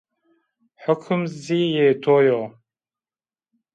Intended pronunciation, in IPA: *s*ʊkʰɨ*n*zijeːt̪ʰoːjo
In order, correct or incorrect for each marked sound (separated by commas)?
incorrect, incorrect